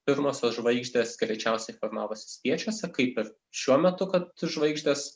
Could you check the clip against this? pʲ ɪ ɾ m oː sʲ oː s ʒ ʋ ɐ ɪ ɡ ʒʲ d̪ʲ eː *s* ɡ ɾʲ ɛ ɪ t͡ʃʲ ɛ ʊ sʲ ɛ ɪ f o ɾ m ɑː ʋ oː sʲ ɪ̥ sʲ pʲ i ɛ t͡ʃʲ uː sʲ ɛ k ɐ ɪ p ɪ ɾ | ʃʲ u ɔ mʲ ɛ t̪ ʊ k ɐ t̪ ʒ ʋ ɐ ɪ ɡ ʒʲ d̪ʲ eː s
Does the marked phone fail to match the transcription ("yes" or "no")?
no